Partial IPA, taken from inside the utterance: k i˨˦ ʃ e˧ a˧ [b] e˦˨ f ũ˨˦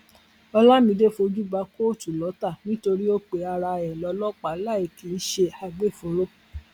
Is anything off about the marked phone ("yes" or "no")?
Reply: yes